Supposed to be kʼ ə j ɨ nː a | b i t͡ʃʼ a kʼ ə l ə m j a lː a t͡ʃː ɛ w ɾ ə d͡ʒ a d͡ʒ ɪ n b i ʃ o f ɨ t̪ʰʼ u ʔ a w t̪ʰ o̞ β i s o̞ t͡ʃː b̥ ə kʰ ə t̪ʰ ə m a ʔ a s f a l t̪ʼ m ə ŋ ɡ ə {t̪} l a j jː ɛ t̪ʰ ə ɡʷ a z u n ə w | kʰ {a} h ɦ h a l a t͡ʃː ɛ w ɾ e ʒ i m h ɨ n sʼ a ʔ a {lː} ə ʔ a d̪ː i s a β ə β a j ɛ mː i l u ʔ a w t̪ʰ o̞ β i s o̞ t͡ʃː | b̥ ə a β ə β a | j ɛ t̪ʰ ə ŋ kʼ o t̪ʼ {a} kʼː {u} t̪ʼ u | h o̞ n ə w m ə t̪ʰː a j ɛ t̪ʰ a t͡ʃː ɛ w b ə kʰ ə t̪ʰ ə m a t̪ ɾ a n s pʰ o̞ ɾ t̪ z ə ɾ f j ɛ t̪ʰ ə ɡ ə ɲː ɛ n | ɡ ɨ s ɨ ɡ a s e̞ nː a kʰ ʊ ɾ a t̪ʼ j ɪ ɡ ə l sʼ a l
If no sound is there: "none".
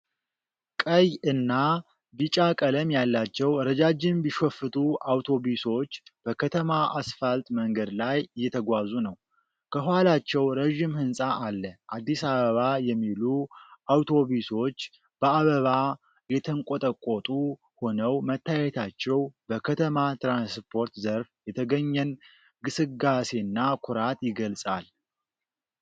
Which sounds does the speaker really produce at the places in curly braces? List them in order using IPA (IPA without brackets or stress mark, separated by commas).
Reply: d̪, ə, lː, ə, o